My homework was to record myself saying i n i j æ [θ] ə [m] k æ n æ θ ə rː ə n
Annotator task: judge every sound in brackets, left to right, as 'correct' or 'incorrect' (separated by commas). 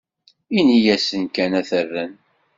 incorrect, incorrect